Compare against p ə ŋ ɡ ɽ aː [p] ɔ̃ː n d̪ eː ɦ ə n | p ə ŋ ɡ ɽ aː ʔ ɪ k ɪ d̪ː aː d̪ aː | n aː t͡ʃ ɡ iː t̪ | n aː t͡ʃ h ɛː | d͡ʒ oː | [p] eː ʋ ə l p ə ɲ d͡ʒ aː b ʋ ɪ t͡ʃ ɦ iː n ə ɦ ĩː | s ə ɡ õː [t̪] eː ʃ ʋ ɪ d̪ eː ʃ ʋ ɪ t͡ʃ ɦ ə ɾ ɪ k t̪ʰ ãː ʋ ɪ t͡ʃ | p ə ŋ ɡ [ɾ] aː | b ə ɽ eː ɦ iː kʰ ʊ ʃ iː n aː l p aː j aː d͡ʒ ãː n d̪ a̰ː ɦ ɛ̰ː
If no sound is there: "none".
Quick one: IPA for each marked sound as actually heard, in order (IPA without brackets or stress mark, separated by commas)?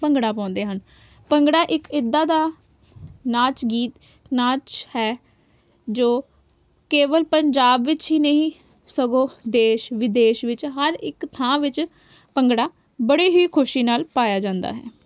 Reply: p, k, d̪, ɽ